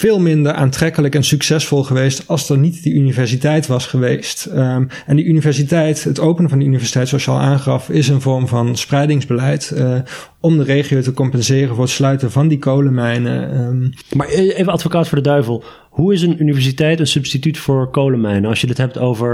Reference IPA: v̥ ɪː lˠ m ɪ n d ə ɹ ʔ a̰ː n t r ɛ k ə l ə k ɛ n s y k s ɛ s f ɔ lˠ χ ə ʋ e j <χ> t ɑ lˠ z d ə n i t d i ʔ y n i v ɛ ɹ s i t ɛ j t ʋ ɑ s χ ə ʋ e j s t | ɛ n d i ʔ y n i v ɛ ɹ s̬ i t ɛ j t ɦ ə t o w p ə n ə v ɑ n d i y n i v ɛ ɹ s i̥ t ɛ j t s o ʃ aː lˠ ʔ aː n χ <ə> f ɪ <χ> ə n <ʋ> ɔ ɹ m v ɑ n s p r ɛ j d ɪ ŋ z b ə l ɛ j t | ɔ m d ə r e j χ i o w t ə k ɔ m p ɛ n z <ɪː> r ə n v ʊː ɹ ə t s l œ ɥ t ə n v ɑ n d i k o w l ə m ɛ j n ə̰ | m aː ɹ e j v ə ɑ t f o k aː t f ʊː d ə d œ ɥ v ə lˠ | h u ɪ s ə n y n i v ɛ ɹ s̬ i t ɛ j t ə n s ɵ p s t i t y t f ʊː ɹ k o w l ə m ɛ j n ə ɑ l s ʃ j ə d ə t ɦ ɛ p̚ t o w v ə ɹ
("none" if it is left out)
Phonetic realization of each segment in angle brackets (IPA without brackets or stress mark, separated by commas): s, ɑ, s, v, ɪː